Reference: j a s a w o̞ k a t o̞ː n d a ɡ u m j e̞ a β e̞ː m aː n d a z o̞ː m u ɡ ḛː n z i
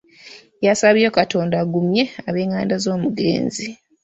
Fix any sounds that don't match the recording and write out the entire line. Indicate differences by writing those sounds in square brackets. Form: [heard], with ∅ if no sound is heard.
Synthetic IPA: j a s a [β] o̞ k a t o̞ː n d a ɡ u m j e̞ a β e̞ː [ŋ] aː n d a z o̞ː m u ɡ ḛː n z i